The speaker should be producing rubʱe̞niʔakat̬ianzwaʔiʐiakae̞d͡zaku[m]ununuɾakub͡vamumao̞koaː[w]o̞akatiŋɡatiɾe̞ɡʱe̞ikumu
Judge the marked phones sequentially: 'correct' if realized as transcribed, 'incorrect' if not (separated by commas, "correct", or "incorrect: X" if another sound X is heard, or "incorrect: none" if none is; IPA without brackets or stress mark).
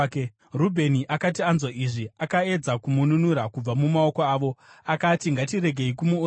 correct, incorrect: ʋ